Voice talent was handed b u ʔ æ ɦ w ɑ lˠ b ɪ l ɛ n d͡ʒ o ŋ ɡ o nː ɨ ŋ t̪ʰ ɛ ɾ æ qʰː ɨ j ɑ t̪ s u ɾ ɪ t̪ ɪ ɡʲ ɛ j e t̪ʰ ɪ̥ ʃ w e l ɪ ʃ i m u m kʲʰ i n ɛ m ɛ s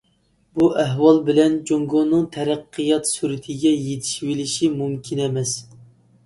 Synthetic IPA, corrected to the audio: b u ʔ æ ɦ w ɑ lˠ b ɪ l ɛ n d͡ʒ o ŋ ɡ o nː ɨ ŋ t̪ʰ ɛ ɾ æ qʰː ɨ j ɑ t̪ s u ɾ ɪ t̪ʰ ɪ ɡʲ ɛ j e t̪ʰ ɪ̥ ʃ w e l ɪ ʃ i m u m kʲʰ i n ɛ m ɛ s